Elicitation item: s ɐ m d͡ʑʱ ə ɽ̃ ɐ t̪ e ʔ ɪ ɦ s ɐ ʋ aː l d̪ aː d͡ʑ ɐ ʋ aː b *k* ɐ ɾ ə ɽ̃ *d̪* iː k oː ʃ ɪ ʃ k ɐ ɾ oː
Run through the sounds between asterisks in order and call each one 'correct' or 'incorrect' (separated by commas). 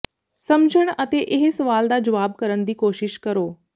correct, correct